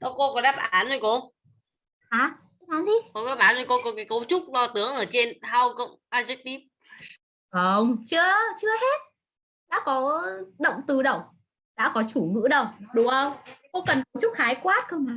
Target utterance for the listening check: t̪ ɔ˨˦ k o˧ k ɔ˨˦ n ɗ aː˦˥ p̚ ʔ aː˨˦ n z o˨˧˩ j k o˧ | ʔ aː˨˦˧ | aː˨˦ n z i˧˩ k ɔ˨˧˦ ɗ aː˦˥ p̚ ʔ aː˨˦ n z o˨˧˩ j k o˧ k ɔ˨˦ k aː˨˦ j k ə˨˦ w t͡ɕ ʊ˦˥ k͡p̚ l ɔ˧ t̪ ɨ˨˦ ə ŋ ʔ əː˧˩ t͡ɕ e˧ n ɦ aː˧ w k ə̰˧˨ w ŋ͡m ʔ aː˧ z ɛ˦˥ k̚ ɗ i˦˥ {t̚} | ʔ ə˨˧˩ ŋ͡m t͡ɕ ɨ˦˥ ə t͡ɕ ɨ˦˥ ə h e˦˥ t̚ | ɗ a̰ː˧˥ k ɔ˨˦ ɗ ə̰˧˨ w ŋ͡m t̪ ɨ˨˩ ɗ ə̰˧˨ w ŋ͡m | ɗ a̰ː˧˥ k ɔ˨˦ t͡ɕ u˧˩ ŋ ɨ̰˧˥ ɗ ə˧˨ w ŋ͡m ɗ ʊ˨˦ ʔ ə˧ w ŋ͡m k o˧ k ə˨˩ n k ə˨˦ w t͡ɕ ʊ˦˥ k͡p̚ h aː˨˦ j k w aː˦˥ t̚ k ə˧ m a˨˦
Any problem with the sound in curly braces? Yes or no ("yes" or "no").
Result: yes